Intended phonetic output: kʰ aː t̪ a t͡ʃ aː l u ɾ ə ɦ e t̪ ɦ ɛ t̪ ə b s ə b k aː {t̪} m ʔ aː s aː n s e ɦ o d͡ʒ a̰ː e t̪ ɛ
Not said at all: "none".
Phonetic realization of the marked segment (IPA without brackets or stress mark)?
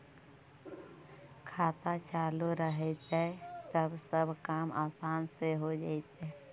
none